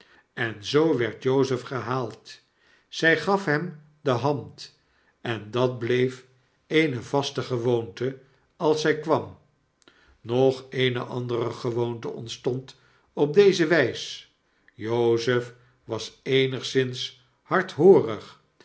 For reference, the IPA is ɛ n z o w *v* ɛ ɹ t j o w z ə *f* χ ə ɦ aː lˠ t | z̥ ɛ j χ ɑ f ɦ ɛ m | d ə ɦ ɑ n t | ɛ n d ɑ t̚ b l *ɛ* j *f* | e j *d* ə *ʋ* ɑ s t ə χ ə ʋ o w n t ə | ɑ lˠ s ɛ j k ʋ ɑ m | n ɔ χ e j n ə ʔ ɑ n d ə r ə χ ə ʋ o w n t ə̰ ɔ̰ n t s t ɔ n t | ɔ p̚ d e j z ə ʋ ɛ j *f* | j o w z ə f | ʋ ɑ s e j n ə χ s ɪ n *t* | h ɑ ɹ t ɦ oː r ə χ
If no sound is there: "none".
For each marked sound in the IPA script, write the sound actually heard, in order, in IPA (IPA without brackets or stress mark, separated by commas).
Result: ʋ, f, e, f, n, v, s, s